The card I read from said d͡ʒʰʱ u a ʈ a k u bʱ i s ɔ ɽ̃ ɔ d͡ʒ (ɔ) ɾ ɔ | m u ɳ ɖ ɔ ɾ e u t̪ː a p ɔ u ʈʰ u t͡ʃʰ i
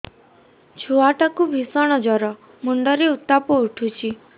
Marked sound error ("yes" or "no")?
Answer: no